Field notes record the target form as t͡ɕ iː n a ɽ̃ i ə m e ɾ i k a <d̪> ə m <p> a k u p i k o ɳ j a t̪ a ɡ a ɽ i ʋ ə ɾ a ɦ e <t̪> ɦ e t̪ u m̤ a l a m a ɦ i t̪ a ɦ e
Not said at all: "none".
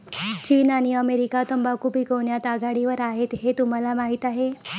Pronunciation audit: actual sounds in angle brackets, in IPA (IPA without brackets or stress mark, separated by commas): t̪, b, t̪